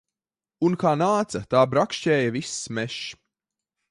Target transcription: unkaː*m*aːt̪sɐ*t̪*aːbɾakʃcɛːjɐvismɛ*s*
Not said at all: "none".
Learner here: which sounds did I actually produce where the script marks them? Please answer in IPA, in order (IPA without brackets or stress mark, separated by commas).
n, t̪, ʃ